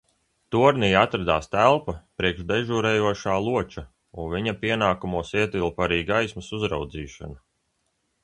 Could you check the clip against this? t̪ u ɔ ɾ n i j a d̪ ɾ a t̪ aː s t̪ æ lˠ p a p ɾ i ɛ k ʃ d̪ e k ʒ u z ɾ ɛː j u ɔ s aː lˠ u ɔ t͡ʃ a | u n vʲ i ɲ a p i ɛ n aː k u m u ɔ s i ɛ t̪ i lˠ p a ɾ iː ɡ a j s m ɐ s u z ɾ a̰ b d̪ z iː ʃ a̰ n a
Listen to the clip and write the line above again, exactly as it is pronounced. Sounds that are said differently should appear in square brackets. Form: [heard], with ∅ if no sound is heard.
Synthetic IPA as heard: t̪ u ɔ ɾ n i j a [t̪] ɾ a [d̪] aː s t̪ æ lˠ p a p ɾ i ɛ k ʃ d̪ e [∅] ʒ u [∅] ɾ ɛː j u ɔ [ʃ] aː lˠ u ɔ t͡ʃ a | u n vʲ i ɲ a p i ɛ n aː k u m u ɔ s i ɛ t̪ i lˠ p a ɾ iː ɡ a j s m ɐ s u z ɾ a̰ [w] d̪ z iː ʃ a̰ n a